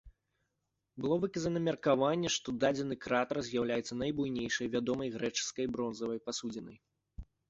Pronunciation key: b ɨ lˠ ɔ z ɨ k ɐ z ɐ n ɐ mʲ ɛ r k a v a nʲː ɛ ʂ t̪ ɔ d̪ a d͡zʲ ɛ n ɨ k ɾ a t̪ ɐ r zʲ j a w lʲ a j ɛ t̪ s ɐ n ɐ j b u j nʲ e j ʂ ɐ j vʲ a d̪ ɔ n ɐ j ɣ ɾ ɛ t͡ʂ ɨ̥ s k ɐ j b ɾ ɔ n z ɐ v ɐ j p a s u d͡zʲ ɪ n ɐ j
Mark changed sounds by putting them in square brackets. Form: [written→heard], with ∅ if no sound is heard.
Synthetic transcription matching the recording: b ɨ lˠ ɔ [z→v] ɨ k ɐ z ɐ n ɐ mʲ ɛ r k a v a nʲː ɛ ʂ t̪ ɔ d̪ a d͡zʲ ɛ n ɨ k ɾ a t̪ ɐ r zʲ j a w lʲ a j ɛ t̪ s ɐ n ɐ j b u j nʲ e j ʂ ɐ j vʲ a d̪ ɔ [n→m] ɐ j ɣ ɾ ɛ t͡ʂ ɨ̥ s k ɐ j b ɾ ɔ n z ɐ v ɐ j p a s u d͡zʲ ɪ n ɐ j

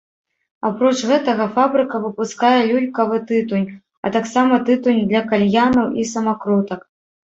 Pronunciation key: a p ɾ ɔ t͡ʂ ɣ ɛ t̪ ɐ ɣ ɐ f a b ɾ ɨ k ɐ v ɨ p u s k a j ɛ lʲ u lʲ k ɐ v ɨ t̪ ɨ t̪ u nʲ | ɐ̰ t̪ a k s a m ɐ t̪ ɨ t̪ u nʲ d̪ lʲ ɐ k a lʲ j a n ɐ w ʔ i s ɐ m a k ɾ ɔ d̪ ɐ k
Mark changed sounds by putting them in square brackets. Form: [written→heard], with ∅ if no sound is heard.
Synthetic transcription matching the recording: a p ɾ ɔ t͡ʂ ɣ ɛ t̪ ɐ ɣ ɐ f a b ɾ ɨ k ɐ v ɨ p u s k a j ɛ lʲ u lʲ k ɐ v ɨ t̪ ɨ t̪ u nʲ | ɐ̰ t̪ a k s a m ɐ t̪ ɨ t̪ u nʲ d̪ lʲ ɐ k a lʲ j a n ɐ w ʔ i s ɐ m a k ɾ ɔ [d̪→t̪] ɐ k

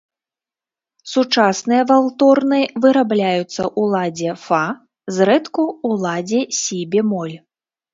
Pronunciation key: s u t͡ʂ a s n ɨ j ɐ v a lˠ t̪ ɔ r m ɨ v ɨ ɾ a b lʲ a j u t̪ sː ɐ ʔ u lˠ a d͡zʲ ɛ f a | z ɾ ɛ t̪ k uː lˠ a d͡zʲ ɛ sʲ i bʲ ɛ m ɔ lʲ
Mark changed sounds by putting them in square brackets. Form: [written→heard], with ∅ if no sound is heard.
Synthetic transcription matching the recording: s u t͡ʂ a s n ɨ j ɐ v a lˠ t̪ ɔ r [m→n] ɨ v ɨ ɾ a b lʲ a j u t̪ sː ɐ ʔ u lˠ a d͡zʲ ɛ f a | z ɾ ɛ t̪ k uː lˠ a d͡zʲ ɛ sʲ i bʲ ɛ m ɔ lʲ

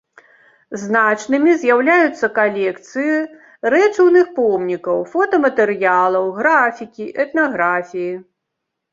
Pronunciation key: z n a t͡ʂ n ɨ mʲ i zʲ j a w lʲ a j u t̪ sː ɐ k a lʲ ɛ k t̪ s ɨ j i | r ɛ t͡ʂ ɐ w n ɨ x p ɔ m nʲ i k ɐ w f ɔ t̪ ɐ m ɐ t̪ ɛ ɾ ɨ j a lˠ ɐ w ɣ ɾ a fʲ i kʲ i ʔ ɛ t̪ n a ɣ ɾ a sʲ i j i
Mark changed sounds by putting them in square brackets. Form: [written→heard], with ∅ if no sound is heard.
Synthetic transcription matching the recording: z n a t͡ʂ n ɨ mʲ i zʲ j a w lʲ a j u t̪ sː ɐ k a lʲ ɛ k t̪ s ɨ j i | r ɛ t͡ʂ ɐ w n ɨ x p ɔ m nʲ i k ɐ w f ɔ t̪ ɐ m ɐ t̪ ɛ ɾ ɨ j a lˠ ɐ w ɣ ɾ a fʲ i kʲ i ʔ ɛ t̪ n a ɣ ɾ a [sʲ→fʲ] i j i

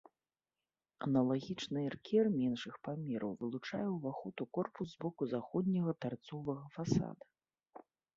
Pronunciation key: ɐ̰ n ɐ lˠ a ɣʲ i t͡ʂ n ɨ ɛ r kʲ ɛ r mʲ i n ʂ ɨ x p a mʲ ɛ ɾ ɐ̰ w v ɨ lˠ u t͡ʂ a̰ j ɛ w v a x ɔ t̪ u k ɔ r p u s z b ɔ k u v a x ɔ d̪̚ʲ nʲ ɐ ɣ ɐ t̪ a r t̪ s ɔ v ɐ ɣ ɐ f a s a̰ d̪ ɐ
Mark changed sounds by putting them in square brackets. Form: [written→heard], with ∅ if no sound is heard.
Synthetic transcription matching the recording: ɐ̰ n ɐ lˠ a ɣʲ i t͡ʂ n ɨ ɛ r kʲ ɛ r mʲ [i→ɛ] n ʂ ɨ x p a mʲ ɛ ɾ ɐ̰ w v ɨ lˠ u t͡ʂ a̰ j ɛ w v a x ɔ t̪ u k ɔ r p u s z b ɔ k u [v→z] a x ɔ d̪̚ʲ nʲ ɐ ɣ ɐ t̪ a r t̪ s ɔ v ɐ ɣ ɐ f a s a̰ d̪ ɐ

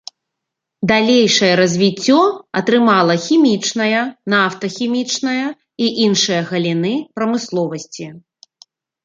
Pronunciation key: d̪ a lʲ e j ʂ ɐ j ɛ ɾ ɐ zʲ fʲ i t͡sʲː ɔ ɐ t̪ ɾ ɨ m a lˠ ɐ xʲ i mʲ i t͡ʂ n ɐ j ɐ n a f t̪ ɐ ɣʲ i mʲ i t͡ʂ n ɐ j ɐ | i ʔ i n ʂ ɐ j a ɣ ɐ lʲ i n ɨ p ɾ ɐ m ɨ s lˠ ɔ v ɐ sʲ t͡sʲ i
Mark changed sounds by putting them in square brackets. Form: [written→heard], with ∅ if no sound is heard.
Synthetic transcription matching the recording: d̪ a lʲ e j ʂ ɐ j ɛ ɾ ɐ zʲ [fʲ→vʲ] i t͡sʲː ɔ ɐ t̪ ɾ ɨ m a lˠ ɐ xʲ i mʲ i t͡ʂ n ɐ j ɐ n a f t̪ ɐ [ɣʲ→xʲ] i mʲ i t͡ʂ n ɐ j ɐ | i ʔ i n ʂ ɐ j [a→ɐ] ɣ ɐ lʲ i n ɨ p ɾ ɐ m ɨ s lˠ ɔ v ɐ sʲ t͡sʲ i

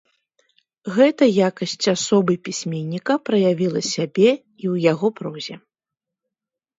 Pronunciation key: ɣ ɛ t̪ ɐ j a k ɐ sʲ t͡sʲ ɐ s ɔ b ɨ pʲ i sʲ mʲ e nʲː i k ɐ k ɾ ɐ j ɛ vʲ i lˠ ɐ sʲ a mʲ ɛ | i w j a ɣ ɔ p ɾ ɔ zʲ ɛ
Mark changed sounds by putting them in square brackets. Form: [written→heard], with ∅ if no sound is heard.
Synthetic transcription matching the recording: ɣ ɛ t̪ ɐ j a k ɐ sʲ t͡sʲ [ɐ→a] s ɔ b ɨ pʲ i sʲ mʲ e nʲː i k ɐ [k→p] ɾ ɐ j [ɛ→a] vʲ i lˠ ɐ sʲ a [mʲ→bʲ] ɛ | i w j a ɣ ɔ p ɾ ɔ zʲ ɛ

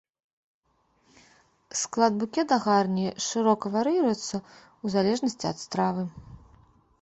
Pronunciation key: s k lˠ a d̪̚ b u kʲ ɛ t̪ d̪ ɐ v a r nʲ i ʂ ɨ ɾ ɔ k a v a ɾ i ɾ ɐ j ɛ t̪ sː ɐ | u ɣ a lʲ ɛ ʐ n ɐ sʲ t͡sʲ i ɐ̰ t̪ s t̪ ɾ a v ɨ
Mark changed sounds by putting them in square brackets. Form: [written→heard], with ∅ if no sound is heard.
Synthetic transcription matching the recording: s k lˠ a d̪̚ b u kʲ ɛ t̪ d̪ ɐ [v→ɣ] a r nʲ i ʂ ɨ ɾ ɔ k [a→ɐ] v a ɾ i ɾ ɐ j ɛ t̪ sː ɐ | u [ɣ→z] a lʲ ɛ ʐ n ɐ sʲ t͡sʲ i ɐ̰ t̪ s t̪ ɾ a v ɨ

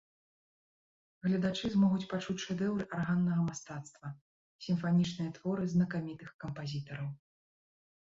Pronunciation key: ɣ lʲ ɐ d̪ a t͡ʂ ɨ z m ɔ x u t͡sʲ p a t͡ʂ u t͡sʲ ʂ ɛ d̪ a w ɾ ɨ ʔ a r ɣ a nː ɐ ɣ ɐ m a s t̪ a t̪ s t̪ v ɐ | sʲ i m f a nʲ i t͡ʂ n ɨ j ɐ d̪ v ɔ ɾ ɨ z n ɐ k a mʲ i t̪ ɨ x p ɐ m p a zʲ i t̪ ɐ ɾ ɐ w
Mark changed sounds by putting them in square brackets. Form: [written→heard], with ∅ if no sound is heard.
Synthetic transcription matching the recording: ɣ lʲ ɐ d̪ a t͡ʂ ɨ z m ɔ [x→ɣ] u t͡sʲ p a t͡ʂ u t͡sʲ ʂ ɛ d̪ [a→ɛ] w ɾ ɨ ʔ a r ɣ a nː ɐ ɣ ɐ m a s t̪ a t̪ s t̪ v ɐ | sʲ i m f a nʲ i t͡ʂ n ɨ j ɐ [d̪→t̪] v ɔ ɾ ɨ z n ɐ k a mʲ i t̪ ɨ x [p→k] ɐ m p a zʲ i t̪ ɐ ɾ ɐ w

